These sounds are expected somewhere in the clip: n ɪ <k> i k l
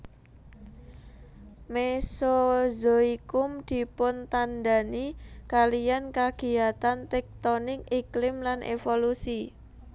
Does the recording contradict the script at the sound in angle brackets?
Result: no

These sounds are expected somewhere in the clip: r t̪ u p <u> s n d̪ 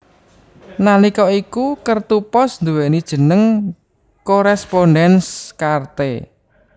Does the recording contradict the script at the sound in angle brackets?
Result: yes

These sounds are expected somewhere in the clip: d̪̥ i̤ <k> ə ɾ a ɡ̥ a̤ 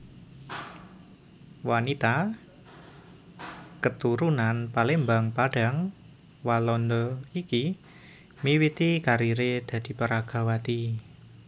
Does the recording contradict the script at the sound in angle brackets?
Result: yes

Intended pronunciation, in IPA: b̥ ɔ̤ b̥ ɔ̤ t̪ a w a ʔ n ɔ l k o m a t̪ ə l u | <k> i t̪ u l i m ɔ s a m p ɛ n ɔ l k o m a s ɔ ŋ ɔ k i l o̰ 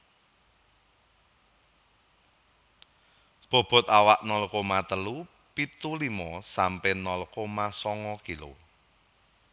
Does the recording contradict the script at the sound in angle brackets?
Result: yes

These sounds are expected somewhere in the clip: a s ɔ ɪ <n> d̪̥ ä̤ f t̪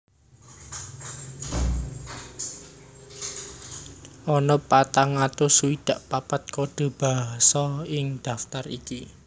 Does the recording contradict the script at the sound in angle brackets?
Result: yes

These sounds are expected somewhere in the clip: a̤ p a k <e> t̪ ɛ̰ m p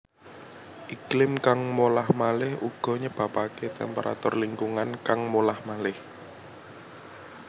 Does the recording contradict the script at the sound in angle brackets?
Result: no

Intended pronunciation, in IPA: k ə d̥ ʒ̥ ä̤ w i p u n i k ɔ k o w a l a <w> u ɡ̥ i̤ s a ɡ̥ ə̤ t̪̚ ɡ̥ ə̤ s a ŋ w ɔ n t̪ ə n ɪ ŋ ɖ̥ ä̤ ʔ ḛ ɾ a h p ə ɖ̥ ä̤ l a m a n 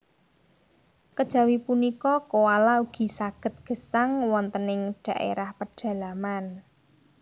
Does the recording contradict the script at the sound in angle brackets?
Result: yes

